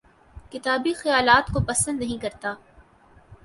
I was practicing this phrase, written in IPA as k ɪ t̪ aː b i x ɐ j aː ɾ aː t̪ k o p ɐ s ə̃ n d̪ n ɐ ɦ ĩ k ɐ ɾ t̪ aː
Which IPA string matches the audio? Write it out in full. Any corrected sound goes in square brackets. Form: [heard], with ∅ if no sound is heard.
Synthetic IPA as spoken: k ɪ t̪ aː b i x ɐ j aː [l] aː t̪ k o p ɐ s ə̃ n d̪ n ɐ ɦ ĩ k ɐ ɾ t̪ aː